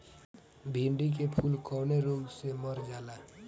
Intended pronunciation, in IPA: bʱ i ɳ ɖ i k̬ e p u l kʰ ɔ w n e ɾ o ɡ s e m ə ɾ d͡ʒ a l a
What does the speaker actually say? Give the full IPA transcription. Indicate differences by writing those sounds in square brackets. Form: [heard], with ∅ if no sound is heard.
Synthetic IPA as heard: bʱ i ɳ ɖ i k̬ e [pʰ] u l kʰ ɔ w n e ɾ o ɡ s e m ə ɾ d͡ʒ a l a